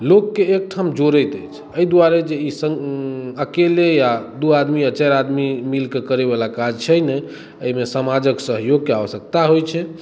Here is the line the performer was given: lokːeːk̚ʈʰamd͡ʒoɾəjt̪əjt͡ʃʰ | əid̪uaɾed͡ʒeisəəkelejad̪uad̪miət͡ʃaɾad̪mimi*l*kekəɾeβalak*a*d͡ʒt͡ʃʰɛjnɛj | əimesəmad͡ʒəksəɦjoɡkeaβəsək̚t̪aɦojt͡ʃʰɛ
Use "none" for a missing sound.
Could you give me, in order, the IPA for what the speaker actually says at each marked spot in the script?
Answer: l, a

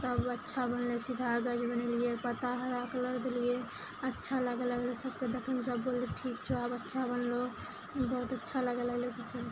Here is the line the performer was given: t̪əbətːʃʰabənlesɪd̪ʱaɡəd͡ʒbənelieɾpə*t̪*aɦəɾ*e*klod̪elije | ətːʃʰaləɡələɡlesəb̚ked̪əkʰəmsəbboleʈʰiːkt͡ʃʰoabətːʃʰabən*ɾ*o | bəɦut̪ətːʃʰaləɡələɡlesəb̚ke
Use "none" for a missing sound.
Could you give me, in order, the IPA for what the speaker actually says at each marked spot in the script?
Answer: t̪, a, l

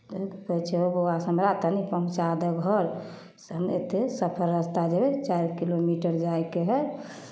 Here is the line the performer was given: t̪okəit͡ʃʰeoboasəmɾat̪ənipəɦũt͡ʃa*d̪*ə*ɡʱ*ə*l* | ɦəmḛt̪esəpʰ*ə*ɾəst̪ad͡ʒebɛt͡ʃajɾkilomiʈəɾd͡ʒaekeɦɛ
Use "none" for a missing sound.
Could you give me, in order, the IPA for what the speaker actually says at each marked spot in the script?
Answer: d̪, ɡʱ, ɾ, ə

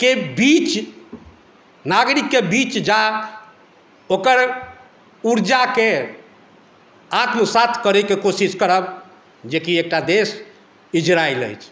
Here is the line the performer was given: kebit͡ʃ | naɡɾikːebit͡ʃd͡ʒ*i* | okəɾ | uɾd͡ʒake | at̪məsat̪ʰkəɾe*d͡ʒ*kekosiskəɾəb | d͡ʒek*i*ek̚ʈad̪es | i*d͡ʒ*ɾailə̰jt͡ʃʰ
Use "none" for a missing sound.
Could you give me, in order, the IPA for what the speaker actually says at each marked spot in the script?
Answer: a, none, i, d͡ʒ

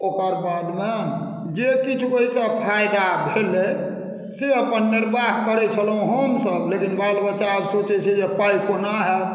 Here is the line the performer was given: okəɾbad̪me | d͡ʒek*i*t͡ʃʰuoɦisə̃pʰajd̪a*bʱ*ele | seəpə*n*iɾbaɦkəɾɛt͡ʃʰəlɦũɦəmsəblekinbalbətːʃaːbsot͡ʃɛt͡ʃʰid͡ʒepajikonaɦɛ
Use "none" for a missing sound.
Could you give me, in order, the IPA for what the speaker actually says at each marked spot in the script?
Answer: i, bʱ, nː

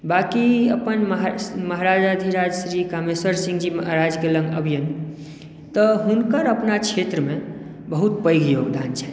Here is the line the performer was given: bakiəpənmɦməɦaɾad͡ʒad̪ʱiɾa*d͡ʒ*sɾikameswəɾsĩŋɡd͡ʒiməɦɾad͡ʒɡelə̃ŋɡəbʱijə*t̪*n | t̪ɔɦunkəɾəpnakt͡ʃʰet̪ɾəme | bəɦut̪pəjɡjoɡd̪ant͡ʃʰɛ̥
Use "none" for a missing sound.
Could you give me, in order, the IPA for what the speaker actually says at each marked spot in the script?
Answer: d͡ʒ, none

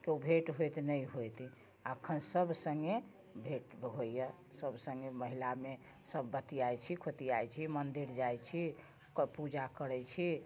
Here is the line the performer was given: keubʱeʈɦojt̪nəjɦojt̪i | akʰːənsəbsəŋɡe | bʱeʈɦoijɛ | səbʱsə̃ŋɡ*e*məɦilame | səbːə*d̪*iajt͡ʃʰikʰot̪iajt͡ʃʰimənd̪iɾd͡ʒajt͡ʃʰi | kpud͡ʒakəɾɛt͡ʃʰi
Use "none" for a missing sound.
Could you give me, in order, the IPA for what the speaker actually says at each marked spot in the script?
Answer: e, t̪

